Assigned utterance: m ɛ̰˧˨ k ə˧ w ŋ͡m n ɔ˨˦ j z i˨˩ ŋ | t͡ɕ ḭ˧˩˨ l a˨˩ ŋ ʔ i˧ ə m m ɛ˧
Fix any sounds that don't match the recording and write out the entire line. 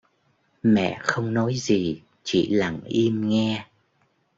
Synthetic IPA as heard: m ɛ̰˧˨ x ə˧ w ŋ͡m n ɔ˨˦ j z i˨˩ | t͡ɕ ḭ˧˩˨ l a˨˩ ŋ ʔ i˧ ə m ŋ ɛ˧